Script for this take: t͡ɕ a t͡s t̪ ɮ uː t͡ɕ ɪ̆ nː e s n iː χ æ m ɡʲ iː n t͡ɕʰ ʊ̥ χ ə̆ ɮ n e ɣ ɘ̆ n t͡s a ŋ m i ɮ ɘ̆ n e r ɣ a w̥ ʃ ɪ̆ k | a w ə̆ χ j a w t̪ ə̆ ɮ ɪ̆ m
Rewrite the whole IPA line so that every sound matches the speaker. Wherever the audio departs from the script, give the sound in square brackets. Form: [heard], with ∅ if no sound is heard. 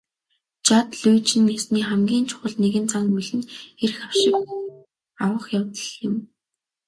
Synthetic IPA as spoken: t͡ɕ a [∅] t̪ ɮ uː t͡ɕ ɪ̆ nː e s n iː χ æ m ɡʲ iː n t͡ɕʰ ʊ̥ χ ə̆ ɮ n e ɣ ɘ̆ n t͡s a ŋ m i ɮ ɘ̆ n e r [x] a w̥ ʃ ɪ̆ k | a w ə̆ χ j a w t̪ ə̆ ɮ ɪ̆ m